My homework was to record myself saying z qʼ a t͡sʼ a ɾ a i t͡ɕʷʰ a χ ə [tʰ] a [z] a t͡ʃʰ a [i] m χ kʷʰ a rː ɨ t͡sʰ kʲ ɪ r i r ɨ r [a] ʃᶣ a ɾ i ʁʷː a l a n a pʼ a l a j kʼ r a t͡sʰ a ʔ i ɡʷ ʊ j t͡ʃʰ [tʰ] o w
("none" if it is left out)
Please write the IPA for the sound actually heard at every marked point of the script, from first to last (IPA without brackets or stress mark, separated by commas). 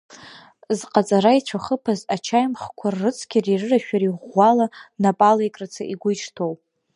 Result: pʰ, z, j, a, tʰ